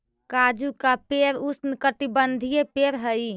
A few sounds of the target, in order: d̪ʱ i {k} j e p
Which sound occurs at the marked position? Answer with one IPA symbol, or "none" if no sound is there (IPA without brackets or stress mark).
none